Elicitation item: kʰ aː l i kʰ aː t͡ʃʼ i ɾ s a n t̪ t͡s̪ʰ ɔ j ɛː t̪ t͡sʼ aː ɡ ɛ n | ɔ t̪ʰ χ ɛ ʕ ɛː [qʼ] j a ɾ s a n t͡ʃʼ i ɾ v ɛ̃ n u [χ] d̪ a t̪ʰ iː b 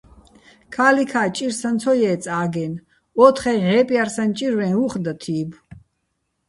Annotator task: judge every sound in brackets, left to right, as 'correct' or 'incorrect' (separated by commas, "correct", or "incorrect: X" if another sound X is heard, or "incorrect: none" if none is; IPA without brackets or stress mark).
incorrect: pʼ, correct